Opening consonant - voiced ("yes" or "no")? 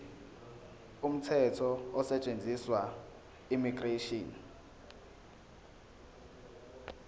yes